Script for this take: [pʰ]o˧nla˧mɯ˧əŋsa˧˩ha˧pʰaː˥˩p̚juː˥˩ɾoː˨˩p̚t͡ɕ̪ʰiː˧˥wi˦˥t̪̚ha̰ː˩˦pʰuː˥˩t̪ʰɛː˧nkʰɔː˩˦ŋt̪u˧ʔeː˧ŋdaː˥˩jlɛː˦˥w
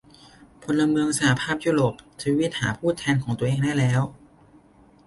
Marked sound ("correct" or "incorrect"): correct